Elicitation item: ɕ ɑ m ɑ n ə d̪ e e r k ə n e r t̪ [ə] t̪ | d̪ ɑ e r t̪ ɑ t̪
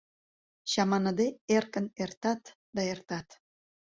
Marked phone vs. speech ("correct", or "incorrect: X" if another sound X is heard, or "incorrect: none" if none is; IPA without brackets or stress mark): incorrect: ɑ